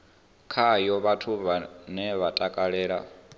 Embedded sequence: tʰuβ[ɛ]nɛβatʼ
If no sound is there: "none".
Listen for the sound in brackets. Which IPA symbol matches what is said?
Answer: a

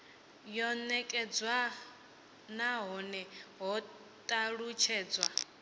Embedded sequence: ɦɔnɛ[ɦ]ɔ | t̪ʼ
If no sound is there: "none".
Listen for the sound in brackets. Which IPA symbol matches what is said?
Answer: ɦ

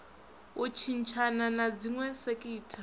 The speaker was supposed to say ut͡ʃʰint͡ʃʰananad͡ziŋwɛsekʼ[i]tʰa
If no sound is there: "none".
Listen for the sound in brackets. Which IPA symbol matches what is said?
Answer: iː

